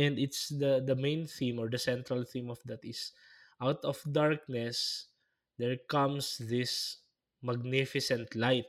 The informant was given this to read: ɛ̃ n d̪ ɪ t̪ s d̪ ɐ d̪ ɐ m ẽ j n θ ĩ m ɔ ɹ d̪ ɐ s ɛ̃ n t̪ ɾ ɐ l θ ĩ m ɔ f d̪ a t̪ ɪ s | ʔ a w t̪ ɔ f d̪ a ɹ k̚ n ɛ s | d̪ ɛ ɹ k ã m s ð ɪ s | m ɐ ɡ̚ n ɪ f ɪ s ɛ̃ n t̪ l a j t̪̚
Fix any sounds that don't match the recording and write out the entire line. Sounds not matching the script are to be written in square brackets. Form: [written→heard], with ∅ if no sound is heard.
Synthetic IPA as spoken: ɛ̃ n d̪ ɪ t̪ s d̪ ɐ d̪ ɐ m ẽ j n θ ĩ m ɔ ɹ d̪ ɐ s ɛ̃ n t̪ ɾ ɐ l θ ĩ m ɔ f d̪ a t̪ ɪ s | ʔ a w t̪ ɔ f d̪ a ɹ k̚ n ɛ s | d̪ ɛ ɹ k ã m s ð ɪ s | m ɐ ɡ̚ n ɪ f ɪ s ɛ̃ n t̪ l a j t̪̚